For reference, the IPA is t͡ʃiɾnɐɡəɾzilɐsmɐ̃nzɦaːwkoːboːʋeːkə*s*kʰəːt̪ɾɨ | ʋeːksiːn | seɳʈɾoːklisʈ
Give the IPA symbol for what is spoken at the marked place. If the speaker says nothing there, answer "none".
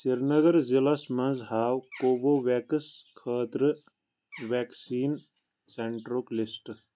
s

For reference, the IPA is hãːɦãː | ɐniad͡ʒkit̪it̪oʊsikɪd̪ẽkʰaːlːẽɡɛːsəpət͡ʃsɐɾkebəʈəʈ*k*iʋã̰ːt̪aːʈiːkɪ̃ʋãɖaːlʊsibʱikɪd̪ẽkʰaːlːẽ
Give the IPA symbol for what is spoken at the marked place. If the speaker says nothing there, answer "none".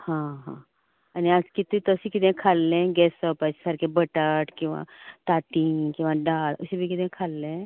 k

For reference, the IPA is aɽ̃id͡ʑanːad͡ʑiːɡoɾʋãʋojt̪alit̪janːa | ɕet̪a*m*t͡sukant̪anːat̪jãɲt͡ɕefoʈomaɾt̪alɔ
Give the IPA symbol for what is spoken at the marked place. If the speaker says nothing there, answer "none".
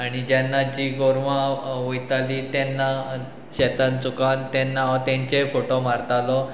n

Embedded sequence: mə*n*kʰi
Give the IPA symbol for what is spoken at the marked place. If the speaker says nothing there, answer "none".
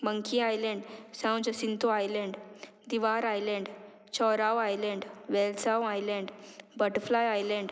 ŋ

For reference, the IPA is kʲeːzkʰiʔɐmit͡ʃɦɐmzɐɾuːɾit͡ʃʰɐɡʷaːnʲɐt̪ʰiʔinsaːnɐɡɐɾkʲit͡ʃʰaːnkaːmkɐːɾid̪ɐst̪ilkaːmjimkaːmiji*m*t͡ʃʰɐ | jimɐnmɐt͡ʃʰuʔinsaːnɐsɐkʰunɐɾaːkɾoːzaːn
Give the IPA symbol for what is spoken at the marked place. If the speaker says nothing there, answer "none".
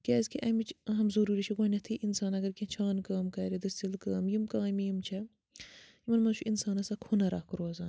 m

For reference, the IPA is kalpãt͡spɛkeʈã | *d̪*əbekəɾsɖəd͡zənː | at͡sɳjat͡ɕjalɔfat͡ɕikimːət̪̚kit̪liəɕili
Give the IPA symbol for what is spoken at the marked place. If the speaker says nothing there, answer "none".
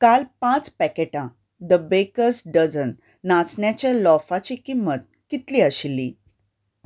d̪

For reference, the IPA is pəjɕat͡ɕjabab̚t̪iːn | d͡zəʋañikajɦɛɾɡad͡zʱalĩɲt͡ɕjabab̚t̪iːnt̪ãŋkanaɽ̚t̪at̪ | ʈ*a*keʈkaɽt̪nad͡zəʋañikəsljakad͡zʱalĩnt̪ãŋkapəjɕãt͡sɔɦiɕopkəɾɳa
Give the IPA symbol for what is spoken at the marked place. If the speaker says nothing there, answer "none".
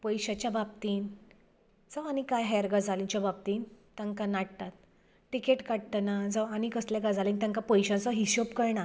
i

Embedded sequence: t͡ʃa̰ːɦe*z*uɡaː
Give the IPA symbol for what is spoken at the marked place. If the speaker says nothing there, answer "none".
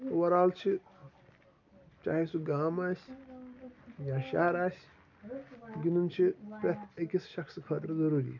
s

